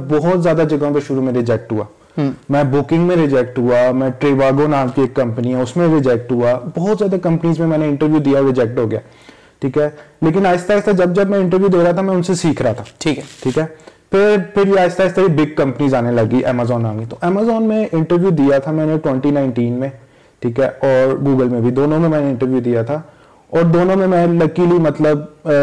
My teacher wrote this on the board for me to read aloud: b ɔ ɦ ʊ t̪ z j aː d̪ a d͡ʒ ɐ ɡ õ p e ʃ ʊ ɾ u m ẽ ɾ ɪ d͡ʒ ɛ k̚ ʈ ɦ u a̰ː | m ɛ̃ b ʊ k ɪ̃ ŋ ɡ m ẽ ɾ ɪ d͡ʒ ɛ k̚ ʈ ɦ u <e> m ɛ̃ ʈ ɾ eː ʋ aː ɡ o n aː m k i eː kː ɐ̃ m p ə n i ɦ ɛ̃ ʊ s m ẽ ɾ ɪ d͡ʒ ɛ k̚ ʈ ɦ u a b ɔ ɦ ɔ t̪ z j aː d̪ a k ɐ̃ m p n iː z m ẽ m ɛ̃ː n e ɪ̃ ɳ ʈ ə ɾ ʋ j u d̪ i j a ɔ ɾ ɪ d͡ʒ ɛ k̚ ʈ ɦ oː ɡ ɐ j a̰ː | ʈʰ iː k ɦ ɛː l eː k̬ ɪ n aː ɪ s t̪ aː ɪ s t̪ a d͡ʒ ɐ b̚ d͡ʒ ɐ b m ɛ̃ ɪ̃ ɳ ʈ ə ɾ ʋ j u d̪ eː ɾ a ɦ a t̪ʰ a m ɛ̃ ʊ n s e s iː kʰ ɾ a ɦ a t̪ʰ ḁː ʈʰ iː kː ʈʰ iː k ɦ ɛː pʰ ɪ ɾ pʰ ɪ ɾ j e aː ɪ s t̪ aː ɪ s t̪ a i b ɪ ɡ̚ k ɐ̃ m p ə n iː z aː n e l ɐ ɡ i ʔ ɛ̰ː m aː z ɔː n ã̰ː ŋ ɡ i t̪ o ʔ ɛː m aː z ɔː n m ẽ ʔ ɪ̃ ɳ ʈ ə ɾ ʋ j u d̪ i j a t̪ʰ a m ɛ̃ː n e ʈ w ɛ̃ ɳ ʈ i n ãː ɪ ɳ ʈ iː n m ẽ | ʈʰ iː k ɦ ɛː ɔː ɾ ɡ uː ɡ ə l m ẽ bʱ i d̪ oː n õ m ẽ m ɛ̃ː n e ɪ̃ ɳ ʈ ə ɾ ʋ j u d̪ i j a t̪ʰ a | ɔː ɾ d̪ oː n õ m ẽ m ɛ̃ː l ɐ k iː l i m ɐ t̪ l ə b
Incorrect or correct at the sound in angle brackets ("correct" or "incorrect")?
incorrect